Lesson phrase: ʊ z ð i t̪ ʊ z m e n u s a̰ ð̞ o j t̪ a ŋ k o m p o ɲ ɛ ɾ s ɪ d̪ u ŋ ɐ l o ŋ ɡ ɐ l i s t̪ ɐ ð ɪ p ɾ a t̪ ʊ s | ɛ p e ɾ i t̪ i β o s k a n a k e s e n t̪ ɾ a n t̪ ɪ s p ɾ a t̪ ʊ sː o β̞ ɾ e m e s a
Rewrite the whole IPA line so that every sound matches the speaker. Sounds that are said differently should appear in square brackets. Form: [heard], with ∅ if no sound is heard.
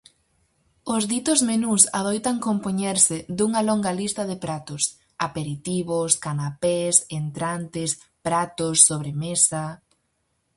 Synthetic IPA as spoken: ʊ z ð i t̪ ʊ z m e n u s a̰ ð̞ o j t̪ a ŋ k o m p o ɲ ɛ ɾ s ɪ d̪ u ŋ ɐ l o ŋ ɡ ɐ l i s t̪ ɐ ð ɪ p ɾ a t̪ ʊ s | [a] p e ɾ i t̪ i β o s k a n a [p] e s e n t̪ ɾ a n t̪ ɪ s p ɾ a t̪ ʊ sː o β̞ ɾ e m e s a